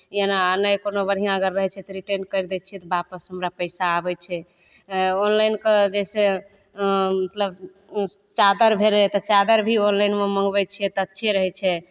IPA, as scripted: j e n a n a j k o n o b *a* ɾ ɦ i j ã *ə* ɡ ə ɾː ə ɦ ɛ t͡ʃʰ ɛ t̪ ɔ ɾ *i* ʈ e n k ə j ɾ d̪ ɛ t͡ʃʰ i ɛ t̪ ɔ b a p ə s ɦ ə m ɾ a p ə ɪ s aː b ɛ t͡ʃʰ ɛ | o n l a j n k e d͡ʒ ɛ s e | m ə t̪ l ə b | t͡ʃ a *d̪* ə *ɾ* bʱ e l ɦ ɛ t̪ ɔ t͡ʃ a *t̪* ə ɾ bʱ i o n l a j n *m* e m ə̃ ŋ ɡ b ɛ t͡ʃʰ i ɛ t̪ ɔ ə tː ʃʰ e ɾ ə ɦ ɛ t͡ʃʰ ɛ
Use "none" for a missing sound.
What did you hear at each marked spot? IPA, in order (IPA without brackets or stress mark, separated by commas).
ə, ə, i, d̪, ɾ, d̪, m